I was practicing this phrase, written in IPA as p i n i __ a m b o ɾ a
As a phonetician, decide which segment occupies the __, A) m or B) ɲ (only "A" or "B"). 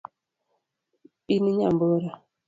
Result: B